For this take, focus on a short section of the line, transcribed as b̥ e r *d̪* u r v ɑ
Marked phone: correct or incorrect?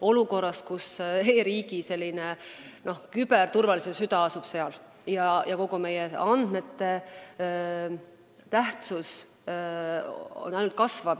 incorrect